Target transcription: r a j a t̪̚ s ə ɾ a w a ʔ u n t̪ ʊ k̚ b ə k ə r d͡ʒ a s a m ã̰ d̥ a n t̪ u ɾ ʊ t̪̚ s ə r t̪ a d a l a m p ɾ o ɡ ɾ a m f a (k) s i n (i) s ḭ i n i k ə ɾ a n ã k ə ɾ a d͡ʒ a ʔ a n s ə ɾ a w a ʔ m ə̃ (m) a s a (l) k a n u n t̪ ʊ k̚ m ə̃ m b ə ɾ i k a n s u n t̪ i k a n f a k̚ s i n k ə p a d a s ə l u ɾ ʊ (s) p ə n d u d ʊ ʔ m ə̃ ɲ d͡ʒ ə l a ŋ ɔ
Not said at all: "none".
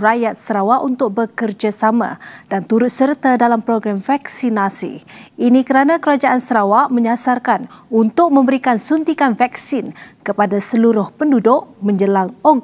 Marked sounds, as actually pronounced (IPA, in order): k, a, ɲ, r, h

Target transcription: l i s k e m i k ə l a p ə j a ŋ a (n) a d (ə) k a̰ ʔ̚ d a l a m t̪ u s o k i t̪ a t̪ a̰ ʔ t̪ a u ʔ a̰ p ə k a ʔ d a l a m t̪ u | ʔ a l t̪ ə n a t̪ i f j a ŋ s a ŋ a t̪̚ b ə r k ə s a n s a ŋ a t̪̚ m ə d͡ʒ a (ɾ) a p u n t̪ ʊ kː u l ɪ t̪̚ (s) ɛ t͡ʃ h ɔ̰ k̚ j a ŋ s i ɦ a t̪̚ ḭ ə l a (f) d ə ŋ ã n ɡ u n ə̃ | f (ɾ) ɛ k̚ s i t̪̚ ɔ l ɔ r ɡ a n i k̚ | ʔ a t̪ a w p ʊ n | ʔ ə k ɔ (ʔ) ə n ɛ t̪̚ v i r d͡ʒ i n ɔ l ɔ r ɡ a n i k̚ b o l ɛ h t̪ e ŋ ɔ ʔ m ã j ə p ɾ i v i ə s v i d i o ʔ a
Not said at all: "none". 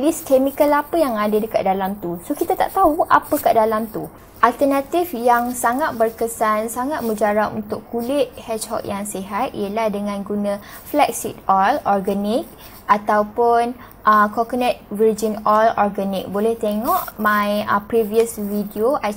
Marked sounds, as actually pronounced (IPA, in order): d, ə, ɾ, h, h, l, k

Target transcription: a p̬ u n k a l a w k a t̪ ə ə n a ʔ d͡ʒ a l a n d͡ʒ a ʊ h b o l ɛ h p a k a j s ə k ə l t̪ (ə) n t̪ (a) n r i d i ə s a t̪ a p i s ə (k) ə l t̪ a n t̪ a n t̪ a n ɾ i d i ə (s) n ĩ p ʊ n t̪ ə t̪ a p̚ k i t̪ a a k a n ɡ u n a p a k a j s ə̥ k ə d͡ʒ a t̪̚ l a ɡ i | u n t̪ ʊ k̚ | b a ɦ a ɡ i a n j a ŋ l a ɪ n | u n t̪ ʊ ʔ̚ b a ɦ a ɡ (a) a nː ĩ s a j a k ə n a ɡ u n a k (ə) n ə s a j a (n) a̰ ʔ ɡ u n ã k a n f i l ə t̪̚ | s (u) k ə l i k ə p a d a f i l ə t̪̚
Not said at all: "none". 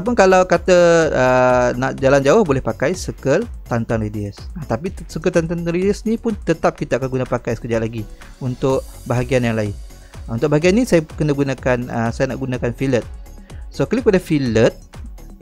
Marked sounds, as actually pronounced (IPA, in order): a, a, k, s, i, a, n, o

